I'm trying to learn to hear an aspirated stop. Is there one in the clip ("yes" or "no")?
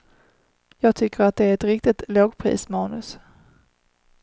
yes